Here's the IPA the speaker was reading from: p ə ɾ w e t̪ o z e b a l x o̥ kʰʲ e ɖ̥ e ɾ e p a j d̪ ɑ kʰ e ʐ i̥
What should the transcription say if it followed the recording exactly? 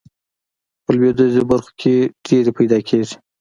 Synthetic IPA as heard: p ə l w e d̪ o z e b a ɾ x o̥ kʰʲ e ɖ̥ e ɾ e p a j d̪ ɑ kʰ e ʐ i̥